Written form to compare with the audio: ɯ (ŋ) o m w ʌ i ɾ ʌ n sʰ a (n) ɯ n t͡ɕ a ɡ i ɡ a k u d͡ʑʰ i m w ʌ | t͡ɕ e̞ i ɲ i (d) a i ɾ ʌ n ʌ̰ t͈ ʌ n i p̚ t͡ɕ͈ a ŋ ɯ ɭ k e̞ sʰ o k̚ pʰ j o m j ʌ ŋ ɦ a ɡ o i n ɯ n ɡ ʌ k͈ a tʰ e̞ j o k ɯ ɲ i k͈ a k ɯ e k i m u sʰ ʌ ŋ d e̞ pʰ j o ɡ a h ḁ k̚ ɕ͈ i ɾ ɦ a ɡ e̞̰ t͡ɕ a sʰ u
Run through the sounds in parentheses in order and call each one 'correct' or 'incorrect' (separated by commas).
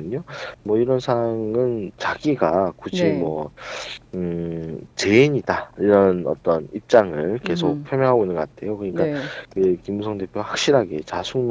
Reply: incorrect, incorrect, correct